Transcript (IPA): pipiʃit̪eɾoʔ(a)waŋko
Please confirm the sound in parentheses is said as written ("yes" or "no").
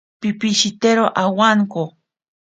yes